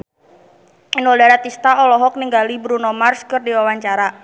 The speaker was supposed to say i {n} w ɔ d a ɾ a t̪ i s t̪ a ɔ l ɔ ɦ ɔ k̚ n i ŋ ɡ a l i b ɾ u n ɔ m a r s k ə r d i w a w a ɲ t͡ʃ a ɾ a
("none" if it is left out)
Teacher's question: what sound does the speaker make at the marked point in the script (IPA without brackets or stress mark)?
n